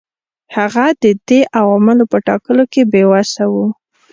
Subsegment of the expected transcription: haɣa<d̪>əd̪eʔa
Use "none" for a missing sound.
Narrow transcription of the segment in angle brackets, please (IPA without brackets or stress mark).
d̪